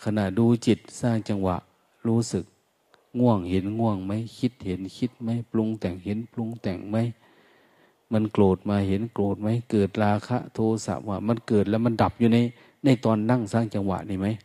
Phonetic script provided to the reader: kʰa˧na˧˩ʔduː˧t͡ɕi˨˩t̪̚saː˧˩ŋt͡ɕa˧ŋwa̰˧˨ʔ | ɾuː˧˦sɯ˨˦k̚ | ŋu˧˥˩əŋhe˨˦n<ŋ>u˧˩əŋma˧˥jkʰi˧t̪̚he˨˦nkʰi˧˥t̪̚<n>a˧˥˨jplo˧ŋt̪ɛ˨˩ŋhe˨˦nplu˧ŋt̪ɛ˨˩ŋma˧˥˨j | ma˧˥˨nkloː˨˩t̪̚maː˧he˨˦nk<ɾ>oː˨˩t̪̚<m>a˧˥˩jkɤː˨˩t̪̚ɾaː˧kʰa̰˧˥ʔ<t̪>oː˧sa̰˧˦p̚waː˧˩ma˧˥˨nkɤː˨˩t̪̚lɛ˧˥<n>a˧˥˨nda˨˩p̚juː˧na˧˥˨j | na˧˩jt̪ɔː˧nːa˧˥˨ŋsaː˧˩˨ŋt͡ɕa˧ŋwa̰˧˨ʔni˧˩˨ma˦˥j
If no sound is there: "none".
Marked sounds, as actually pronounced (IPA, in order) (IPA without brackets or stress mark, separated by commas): ŋ, m, l, m, t̪ʰ, m